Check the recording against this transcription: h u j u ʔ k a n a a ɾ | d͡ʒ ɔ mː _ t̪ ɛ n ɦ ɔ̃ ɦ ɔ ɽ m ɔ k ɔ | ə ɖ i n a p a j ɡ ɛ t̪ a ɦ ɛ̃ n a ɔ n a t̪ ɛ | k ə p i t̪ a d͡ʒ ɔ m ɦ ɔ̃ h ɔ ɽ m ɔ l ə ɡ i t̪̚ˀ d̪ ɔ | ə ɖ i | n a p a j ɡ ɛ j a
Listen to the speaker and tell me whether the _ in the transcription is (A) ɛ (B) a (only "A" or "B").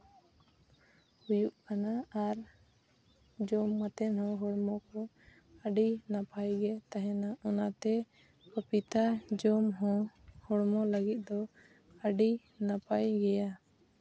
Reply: B